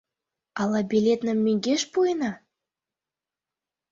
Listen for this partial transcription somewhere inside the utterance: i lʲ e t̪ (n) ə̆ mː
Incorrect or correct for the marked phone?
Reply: correct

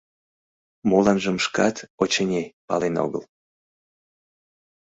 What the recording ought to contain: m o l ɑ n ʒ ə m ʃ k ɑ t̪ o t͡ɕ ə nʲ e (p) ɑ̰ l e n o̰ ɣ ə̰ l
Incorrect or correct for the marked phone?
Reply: correct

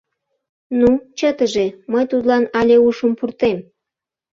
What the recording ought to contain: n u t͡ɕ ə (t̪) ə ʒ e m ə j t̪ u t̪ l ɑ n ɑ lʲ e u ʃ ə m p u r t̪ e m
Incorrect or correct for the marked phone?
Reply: correct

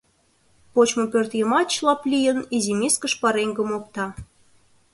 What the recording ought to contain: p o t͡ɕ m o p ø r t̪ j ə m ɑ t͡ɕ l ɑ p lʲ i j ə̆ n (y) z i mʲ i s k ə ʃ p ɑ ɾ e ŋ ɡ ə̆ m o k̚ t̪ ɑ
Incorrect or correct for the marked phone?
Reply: incorrect: i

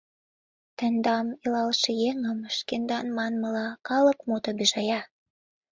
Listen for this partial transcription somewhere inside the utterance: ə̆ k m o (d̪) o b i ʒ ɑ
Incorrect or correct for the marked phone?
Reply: incorrect: t̪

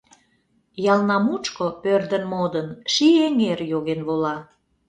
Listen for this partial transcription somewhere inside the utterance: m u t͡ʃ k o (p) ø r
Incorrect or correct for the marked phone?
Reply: correct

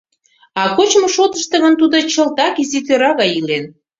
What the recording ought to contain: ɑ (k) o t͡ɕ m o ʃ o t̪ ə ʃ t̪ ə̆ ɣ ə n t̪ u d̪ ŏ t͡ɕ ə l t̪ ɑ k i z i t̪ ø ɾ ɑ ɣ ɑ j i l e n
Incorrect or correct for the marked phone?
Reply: correct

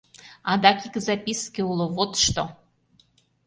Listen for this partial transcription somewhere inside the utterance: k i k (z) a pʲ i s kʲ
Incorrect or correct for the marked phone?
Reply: correct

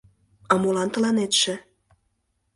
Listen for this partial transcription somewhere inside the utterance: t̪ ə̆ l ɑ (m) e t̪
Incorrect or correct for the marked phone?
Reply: incorrect: n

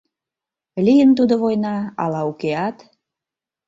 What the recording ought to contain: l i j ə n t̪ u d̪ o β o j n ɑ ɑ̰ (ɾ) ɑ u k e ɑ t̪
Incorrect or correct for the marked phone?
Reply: incorrect: l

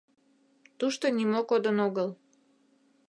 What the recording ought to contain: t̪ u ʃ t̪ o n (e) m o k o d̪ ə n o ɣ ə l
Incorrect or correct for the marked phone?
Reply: incorrect: i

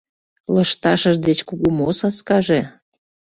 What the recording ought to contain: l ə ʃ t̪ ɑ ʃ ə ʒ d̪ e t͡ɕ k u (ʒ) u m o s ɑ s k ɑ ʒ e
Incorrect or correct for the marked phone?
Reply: incorrect: ɣ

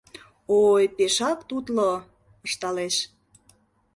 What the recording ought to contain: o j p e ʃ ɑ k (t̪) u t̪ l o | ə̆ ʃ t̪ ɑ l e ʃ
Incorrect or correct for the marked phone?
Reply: correct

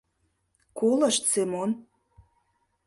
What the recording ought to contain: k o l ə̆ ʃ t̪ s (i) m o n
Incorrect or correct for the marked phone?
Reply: incorrect: e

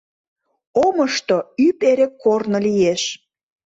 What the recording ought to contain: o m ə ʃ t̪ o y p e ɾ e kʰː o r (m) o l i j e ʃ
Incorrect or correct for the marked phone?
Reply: incorrect: n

